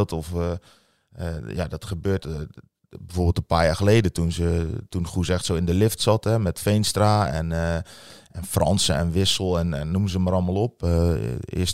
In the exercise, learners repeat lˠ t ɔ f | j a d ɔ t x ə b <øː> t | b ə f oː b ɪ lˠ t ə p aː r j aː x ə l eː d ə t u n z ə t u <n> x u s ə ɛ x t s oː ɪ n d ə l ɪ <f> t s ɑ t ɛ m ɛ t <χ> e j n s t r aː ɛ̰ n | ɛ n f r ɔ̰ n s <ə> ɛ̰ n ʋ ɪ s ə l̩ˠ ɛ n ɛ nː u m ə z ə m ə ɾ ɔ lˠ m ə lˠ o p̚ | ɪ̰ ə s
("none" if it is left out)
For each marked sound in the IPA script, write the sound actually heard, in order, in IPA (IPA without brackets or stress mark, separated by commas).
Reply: øː, n, f, f, ə